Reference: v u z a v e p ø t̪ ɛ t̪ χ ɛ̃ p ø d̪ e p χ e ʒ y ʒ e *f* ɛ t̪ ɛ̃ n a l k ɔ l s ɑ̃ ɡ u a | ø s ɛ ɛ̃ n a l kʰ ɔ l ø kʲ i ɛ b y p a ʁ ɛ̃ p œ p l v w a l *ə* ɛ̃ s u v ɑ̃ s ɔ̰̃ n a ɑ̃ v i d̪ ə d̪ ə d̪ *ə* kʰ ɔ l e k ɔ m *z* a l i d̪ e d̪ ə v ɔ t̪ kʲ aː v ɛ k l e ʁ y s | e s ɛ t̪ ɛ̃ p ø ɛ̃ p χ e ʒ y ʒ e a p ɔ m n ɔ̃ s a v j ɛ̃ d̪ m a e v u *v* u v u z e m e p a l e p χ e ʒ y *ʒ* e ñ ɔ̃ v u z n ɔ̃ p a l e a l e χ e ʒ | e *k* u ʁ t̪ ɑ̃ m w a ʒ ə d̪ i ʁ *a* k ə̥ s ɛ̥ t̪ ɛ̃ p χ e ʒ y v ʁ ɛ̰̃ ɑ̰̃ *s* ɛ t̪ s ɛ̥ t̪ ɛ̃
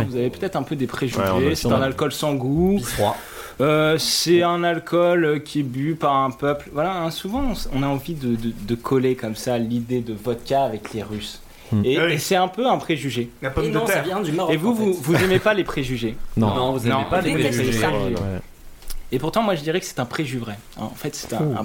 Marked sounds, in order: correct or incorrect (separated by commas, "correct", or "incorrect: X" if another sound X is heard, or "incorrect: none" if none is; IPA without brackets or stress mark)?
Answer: incorrect: s, incorrect: a, correct, incorrect: s, correct, correct, incorrect: p, incorrect: ɛ, incorrect: f